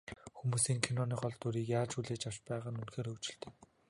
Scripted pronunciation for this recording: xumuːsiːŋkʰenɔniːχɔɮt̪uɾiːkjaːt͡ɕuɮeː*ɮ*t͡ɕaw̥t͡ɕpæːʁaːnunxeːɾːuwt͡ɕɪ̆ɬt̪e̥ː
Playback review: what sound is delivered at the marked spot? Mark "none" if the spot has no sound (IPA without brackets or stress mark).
none